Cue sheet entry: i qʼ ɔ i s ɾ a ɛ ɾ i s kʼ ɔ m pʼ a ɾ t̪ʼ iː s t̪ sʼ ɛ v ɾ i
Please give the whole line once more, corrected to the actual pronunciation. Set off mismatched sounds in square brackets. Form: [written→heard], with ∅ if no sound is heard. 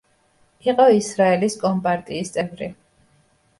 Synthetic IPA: i qʼ ɔ i s ɾ a ɛ [ɾ→l] i s kʼ ɔ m pʼ a ɾ t̪ʼ iː s t̪ sʼ ɛ v ɾ i